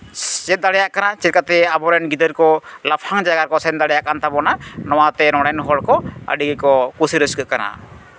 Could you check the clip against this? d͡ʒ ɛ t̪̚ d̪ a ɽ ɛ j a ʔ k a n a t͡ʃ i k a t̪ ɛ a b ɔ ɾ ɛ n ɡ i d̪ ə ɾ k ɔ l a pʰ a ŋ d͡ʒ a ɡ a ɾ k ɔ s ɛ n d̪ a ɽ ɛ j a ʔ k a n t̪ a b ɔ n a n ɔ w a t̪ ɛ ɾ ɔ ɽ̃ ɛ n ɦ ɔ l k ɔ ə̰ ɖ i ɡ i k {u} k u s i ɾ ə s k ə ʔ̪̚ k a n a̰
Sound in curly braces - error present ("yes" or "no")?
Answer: yes